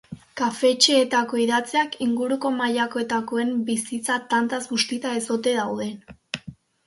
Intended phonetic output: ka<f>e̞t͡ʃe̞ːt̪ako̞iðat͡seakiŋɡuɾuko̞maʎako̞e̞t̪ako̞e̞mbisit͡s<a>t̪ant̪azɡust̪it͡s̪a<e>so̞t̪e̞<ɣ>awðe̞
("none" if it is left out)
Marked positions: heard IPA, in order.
f, a, e, ð

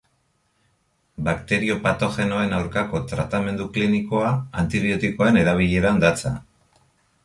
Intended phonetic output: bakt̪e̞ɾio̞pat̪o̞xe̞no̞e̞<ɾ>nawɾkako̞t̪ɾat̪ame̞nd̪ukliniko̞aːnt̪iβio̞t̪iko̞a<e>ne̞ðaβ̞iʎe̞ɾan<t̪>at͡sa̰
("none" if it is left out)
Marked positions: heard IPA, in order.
none, e, d̪

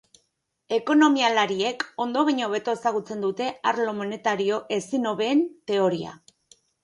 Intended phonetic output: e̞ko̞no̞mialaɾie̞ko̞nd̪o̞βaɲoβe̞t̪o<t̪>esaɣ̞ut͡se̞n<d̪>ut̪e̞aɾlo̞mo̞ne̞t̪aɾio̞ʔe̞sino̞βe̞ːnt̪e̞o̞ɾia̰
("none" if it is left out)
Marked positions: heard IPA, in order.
none, d̪

